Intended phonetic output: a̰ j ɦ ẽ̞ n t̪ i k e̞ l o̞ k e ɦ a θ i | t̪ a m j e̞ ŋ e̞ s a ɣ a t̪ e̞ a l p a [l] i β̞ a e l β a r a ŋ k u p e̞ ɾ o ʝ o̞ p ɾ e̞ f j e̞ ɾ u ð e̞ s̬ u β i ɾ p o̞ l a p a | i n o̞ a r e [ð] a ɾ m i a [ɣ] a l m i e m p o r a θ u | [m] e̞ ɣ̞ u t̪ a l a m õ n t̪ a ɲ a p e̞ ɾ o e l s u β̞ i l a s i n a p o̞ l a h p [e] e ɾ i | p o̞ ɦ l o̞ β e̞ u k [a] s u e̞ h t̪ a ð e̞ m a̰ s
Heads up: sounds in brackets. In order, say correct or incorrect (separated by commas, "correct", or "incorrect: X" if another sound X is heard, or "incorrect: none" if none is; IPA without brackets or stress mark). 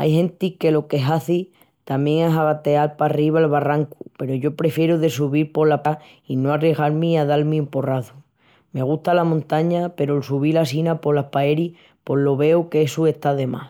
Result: incorrect: r, incorrect: ɣ, incorrect: ð, correct, incorrect: a, incorrect: e